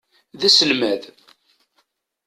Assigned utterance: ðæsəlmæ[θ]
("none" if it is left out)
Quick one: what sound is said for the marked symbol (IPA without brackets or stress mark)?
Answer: ð